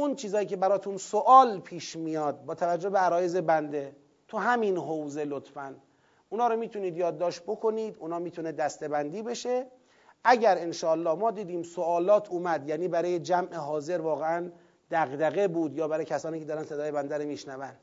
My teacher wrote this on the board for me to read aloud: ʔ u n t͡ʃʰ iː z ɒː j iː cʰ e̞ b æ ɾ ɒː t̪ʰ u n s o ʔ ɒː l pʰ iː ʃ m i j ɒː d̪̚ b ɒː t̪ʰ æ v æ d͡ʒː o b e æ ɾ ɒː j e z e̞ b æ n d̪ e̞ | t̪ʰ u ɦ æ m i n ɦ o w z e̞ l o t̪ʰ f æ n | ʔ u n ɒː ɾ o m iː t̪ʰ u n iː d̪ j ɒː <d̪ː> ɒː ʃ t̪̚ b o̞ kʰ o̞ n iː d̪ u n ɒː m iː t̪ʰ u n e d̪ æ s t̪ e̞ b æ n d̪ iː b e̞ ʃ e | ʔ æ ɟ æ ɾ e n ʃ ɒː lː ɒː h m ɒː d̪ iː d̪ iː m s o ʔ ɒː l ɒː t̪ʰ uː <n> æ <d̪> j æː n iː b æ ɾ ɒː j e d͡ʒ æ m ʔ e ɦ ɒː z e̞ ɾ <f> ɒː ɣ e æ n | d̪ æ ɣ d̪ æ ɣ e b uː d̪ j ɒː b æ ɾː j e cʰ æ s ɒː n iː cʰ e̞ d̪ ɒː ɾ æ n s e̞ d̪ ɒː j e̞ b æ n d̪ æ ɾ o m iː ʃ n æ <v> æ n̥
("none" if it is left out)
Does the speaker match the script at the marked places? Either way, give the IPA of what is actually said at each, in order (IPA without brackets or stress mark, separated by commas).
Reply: d̪ː, m, d̪, v, v